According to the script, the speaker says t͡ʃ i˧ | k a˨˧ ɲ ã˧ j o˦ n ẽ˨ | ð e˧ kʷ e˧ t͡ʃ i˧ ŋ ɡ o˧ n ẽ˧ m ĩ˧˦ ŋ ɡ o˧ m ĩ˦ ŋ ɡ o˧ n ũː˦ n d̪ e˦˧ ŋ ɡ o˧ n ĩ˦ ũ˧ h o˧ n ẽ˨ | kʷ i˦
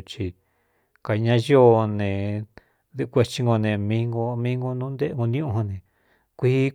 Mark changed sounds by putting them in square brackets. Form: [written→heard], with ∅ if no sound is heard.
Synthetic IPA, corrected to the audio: t͡ʃ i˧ | k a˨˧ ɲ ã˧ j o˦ n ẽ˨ | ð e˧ kʷ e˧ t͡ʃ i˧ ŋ ɡ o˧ n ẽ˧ m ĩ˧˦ ŋ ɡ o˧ m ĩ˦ ŋ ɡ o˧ n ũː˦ n d̪ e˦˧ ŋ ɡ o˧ n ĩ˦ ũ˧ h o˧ n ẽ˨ | kʷ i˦